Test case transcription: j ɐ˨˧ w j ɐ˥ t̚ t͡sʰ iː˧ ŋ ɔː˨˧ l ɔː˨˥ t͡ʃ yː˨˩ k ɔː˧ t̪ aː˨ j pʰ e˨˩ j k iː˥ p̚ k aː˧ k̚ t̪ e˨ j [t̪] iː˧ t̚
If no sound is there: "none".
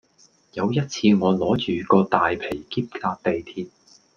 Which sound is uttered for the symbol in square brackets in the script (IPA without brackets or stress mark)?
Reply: t̪ʰ